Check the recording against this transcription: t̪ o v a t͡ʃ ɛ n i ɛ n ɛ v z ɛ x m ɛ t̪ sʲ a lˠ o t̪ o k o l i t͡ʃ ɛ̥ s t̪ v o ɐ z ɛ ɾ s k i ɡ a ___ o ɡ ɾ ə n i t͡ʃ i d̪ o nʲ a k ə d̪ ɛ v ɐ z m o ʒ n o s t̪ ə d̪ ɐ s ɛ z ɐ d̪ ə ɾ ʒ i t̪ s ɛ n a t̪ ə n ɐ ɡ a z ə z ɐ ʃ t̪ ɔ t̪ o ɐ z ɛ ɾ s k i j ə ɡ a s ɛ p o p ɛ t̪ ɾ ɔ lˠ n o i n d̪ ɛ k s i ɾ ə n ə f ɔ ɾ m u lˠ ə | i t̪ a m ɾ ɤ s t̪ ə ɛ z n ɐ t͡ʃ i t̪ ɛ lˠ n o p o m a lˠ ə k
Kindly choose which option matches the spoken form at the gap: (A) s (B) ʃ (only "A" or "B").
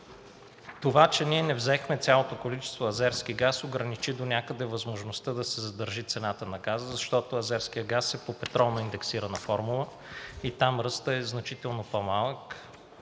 A